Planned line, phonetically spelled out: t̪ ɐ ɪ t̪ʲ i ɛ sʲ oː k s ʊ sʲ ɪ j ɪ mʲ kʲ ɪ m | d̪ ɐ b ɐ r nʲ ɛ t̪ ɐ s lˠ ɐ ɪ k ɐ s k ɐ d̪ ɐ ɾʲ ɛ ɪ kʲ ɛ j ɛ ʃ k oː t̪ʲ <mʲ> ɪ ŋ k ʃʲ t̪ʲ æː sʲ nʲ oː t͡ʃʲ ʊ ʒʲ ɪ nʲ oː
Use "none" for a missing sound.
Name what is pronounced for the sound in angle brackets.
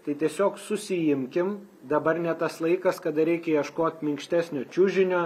mʲ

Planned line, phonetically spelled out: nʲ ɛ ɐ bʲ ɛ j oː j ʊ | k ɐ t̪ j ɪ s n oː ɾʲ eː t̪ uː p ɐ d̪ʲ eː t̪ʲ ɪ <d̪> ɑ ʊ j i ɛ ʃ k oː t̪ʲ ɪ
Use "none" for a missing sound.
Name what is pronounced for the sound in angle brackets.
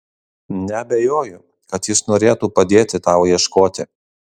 t̪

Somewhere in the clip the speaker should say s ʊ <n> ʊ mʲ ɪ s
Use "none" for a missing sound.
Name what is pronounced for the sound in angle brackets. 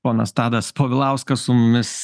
m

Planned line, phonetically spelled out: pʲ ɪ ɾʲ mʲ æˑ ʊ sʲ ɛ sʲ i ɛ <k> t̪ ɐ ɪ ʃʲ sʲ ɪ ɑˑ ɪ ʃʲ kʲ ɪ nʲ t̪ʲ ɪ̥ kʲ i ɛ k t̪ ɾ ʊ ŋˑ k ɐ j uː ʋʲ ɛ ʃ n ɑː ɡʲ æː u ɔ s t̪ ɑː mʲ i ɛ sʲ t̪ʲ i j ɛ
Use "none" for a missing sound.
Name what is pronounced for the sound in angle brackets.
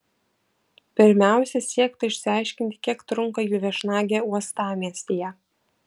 k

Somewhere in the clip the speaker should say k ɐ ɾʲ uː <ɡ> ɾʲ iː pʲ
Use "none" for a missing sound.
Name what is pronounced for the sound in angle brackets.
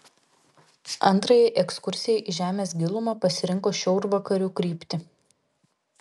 k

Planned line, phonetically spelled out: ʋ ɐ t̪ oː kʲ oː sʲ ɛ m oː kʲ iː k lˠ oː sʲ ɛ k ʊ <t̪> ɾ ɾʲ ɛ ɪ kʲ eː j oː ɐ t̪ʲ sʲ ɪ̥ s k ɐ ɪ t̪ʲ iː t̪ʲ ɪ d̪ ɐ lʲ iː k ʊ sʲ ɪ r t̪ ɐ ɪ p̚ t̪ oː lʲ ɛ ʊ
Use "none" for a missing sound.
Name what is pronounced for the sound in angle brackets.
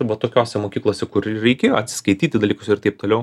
none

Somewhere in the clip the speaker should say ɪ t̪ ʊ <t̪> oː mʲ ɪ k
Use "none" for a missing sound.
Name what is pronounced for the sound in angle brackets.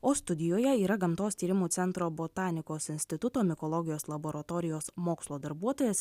t̪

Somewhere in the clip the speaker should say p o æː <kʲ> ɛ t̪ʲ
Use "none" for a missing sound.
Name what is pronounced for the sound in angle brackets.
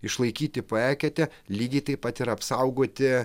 kʲ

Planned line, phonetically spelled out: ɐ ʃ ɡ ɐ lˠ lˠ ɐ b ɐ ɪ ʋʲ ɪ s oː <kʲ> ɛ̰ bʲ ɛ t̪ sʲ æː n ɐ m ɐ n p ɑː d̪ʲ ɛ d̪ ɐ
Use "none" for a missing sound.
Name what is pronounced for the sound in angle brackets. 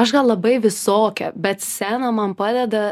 kʲ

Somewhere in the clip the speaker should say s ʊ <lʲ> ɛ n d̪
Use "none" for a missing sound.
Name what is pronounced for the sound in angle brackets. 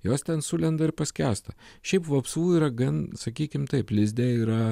lʲ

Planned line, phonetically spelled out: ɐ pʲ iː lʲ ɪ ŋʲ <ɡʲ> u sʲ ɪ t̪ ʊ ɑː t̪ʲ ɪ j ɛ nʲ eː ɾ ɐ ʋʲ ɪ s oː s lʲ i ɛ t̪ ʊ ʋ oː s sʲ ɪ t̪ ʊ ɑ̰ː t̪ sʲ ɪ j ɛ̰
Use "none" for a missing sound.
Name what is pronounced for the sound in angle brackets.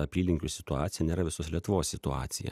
kʲ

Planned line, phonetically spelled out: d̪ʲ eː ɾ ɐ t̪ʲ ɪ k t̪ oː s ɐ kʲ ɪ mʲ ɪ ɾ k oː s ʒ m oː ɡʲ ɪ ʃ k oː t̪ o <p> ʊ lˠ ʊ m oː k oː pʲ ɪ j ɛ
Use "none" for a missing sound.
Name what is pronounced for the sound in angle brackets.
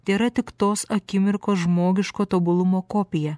b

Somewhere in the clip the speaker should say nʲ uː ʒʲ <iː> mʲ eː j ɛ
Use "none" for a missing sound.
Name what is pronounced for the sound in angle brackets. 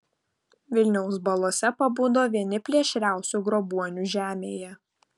æː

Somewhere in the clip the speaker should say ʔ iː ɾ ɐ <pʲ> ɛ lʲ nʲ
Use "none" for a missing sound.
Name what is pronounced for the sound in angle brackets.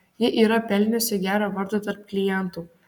pʲ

